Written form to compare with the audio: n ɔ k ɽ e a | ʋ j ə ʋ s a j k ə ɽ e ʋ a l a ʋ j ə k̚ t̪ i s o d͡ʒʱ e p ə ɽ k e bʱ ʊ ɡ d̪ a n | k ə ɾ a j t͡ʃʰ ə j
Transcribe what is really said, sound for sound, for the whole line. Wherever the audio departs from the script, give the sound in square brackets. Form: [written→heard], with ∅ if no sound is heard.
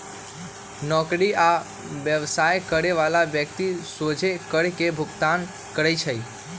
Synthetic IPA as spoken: n ɔ k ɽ [e→i] a | ʋ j ə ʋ s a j k ə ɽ e ʋ a l a ʋ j ə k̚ t̪ i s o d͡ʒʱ e [p→k] ə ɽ k e bʱ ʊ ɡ [d̪→t̪] a n | k ə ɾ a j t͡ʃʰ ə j